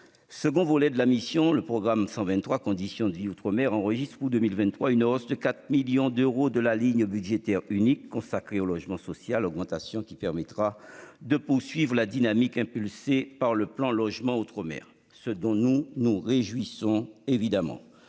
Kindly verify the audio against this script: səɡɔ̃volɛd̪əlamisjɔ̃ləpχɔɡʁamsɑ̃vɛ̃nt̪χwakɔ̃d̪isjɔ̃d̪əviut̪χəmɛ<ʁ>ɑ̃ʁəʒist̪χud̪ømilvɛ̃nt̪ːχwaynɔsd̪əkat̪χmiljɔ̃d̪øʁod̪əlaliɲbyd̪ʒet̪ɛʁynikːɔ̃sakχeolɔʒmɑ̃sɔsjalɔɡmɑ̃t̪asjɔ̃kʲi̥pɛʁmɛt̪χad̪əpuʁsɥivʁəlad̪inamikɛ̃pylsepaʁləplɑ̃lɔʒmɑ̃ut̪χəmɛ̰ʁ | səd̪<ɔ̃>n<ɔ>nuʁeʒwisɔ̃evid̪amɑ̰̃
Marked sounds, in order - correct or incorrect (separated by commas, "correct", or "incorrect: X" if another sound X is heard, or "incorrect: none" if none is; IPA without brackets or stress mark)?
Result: correct, correct, incorrect: u